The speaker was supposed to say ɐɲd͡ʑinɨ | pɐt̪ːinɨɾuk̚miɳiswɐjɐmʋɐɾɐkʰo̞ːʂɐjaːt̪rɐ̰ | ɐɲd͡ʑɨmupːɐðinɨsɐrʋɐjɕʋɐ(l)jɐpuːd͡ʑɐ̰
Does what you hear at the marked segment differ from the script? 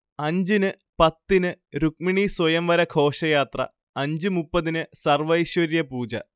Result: yes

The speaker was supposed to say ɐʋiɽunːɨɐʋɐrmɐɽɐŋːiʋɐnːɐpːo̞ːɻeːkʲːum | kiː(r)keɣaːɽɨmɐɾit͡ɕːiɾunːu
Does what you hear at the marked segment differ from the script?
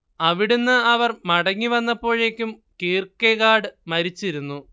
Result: no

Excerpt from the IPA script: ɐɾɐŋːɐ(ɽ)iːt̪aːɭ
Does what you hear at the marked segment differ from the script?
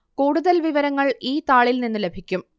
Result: yes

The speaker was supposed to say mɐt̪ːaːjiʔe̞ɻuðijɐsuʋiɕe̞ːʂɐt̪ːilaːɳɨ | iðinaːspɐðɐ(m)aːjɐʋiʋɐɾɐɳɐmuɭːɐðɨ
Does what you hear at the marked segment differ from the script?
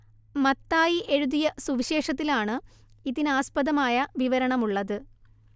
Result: no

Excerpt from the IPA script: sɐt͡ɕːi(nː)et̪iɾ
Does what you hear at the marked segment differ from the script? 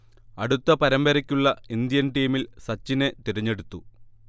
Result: yes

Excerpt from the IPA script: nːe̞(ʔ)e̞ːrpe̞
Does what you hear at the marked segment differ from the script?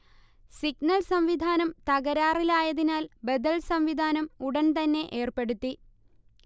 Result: no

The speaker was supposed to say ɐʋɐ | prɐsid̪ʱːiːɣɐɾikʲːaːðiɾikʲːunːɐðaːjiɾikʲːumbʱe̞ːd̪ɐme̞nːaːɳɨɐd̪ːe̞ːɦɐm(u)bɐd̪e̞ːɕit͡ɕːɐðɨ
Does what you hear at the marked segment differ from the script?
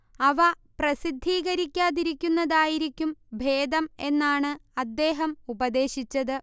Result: no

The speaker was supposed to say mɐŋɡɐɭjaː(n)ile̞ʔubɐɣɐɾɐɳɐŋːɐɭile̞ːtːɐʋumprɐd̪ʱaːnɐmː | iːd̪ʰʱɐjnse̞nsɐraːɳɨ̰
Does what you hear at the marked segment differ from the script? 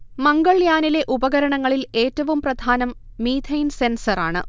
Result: no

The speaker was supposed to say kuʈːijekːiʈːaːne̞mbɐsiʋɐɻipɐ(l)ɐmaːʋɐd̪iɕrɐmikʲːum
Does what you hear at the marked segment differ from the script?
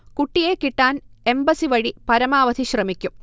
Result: yes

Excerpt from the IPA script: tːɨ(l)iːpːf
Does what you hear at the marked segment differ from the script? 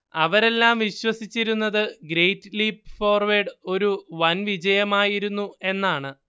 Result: no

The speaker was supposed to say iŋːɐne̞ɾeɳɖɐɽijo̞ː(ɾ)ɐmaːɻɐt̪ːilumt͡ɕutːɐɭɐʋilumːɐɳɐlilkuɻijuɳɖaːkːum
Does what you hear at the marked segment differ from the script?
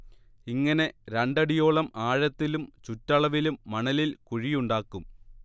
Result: yes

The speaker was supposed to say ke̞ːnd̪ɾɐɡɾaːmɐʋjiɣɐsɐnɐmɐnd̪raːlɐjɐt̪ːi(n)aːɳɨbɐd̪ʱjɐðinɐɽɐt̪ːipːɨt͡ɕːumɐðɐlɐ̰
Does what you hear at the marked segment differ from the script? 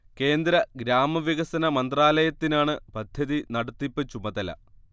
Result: no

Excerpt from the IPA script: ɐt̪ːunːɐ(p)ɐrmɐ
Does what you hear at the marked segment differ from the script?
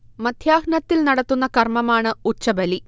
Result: yes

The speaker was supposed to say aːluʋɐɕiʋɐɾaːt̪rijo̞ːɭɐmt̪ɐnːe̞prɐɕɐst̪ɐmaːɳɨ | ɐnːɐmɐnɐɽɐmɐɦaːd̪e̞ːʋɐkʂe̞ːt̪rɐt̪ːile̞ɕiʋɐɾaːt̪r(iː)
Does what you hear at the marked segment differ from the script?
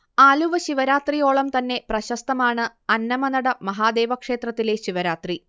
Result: yes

